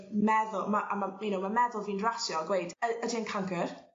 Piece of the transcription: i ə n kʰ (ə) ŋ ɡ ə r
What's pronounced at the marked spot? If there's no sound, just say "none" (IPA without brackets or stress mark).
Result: a